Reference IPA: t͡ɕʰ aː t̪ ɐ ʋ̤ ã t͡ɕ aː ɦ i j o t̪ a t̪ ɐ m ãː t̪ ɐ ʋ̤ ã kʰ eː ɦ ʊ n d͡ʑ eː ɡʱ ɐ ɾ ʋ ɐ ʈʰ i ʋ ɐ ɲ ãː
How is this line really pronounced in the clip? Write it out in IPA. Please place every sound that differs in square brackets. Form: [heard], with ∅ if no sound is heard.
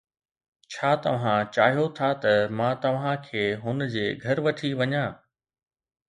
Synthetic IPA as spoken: t͡ɕʰ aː t̪ ɐ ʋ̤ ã t͡ɕ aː ɦ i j o [t̪ʰ] a t̪ ɐ m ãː t̪ ɐ ʋ̤ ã kʰ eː ɦ ʊ n d͡ʑ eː ɡʱ ɐ ɾ ʋ ɐ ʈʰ i ʋ ɐ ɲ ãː